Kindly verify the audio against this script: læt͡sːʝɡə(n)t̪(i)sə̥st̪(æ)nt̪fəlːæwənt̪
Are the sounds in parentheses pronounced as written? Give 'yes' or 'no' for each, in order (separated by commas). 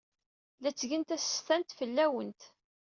yes, no, yes